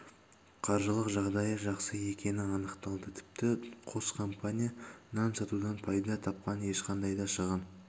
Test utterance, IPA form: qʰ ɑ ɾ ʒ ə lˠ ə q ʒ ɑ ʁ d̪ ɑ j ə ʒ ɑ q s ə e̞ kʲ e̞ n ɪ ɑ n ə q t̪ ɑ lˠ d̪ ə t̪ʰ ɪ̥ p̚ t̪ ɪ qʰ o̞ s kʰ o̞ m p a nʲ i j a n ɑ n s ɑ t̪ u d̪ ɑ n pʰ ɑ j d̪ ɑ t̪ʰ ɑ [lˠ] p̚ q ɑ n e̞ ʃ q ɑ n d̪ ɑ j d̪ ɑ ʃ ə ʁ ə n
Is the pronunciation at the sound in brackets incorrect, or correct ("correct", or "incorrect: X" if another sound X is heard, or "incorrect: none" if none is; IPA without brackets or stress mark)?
incorrect: none